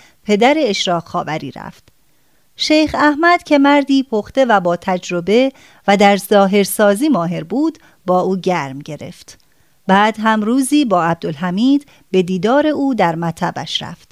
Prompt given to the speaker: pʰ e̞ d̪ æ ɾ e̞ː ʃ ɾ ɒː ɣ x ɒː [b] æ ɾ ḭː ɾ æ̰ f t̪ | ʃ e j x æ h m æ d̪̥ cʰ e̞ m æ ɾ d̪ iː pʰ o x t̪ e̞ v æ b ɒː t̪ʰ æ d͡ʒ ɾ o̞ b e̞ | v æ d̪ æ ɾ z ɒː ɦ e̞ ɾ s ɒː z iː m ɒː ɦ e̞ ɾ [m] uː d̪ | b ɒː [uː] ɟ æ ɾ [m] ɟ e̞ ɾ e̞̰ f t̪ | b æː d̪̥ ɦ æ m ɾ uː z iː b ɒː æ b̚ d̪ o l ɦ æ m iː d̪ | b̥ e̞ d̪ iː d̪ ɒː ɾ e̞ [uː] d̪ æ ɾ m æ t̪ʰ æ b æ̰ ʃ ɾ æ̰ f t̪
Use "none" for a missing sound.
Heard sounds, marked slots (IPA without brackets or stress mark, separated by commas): v, b, uː, m, uː